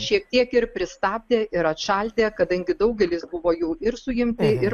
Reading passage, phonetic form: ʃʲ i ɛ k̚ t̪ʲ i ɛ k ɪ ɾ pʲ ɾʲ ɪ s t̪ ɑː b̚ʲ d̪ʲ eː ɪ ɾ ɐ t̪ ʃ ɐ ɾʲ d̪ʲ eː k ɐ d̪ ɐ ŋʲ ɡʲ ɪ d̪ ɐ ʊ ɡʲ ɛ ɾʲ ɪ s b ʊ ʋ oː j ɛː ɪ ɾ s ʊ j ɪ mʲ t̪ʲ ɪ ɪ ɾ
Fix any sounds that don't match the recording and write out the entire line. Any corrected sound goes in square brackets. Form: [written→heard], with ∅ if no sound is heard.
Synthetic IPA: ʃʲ i ɛ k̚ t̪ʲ i ɛ k ɪ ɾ pʲ ɾʲ ɪ s t̪ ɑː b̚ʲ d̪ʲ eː ɪ ɾ ɐ t̪ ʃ ɐ [ɾʲ→lʲ] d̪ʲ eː k ɐ d̪ ɐ ŋʲ ɡʲ ɪ d̪ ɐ ʊ ɡʲ ɛ [ɾʲ→lʲ] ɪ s b ʊ ʋ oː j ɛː ɪ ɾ s ʊ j ɪ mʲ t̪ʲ ɪ ɪ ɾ